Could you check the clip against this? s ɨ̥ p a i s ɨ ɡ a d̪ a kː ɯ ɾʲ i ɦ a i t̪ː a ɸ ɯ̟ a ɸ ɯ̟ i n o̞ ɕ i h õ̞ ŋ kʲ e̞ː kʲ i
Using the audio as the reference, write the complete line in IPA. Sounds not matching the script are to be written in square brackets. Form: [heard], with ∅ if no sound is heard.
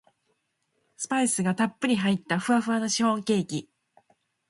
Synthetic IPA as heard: s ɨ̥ p a i s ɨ ɡ a [t̪] a [pː] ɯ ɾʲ i ɦ a i t̪ː a ɸ ɯ̟ a ɸ ɯ̟ [a] n o̞ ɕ i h õ̞ ŋ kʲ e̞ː kʲ i